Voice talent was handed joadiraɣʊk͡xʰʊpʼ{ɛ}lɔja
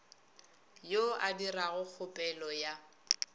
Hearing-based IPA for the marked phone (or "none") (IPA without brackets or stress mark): ɛ